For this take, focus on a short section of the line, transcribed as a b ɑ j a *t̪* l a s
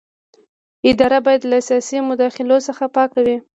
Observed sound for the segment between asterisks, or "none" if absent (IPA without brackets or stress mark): d̪